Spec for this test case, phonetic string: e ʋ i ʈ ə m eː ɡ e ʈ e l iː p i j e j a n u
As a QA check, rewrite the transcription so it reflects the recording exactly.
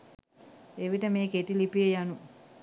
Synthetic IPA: e ʋ i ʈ ə m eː k e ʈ i l i p i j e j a n u

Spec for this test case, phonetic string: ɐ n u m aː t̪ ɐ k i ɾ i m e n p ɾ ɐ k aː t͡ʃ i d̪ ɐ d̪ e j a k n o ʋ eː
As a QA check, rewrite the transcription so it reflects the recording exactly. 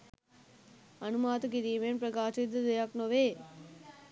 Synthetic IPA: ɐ n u m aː t̪ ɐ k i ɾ i m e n p ɾ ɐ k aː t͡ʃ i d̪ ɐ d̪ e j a k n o ʋ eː

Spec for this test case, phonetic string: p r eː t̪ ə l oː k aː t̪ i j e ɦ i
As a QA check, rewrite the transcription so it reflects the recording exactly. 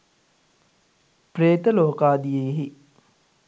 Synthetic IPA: p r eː t̪ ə l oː k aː d̪ i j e ɦ i

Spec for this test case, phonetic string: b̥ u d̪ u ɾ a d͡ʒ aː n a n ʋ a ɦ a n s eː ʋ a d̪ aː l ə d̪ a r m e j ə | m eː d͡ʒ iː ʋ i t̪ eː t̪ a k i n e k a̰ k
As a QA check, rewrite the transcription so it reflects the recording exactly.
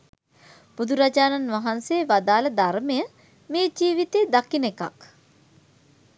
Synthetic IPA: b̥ u d̪ u ɾ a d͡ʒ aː n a n ʋ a ɦ a n s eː ʋ a d̪ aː l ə d̪ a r m e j ə | m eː d͡ʒ iː ʋ i t̪ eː d̪ a k i n e k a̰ k

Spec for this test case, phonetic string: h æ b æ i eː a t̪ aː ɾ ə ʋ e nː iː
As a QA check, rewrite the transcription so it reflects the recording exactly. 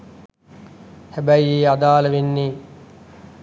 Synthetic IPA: h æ b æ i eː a d̪ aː l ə ʋ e nː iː

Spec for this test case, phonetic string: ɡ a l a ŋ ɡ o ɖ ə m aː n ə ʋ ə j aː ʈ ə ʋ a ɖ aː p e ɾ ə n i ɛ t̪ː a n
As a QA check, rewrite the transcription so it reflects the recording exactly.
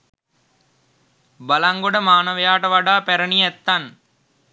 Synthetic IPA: b a l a ŋ ɡ o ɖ ə m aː n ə ʋ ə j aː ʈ ə ʋ a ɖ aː p æ ɾ ə n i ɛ t̪ː a n

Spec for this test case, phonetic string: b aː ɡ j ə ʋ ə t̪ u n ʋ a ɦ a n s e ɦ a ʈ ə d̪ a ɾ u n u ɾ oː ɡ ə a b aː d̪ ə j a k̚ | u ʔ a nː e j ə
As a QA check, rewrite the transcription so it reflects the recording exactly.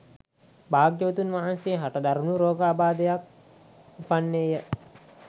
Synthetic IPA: b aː ɡ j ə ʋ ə t̪ u n ʋ a ɦ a n s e ɦ a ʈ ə d̪ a ɾ u n u ɾ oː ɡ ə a b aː d̪ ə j a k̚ | u p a nː e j ə

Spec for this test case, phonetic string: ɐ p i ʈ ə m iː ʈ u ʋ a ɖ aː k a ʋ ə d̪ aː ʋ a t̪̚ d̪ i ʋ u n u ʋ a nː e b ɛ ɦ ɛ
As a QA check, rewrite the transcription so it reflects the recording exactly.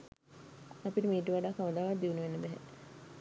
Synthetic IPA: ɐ p i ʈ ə m iː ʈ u ʋ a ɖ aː k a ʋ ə d̪ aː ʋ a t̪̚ d̪ i ʋ u n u ʋ e nː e b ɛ ɦ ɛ

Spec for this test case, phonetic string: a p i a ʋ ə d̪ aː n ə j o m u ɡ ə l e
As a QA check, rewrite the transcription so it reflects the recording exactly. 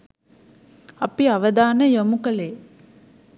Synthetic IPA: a p i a ʋ ə d̪ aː n ə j o m u k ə l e

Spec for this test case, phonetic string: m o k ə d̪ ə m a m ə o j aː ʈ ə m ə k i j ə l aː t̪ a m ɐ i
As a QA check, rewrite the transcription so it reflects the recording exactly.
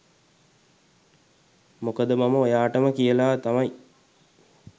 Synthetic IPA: m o k ə d̪ ə m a m ə o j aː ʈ ə m ə k i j ə l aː t̪ a m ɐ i

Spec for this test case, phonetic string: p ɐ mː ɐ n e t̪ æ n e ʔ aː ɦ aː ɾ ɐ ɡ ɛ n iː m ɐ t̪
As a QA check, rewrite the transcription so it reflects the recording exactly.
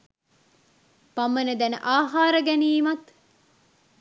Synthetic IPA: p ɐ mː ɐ n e d̪ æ n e ʔ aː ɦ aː ɾ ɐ ɡ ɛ n iː m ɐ t̪

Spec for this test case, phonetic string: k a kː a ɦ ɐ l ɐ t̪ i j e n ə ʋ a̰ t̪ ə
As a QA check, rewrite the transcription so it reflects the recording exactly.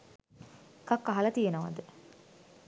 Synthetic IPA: k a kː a ɦ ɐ l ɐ t̪ i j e n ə ʋ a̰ d̪ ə

